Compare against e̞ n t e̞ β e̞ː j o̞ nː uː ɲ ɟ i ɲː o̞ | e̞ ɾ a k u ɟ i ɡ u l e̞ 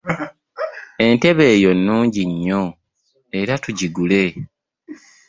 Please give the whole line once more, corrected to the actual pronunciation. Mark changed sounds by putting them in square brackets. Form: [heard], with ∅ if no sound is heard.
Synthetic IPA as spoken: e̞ n t e̞ β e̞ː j o̞ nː uː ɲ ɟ i ɲː o̞ | e̞ ɾ a [t] u ɟ i ɡ u l e̞